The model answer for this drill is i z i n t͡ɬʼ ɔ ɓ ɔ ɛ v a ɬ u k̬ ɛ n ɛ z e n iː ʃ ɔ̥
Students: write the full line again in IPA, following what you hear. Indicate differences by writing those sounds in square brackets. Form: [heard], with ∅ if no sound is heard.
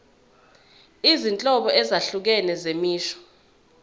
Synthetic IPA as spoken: i z i n t͡ɬʼ ɔ ɓ ɔ ɛ [z] a ɬ u k̬ ɛ n ɛ z e [m] iː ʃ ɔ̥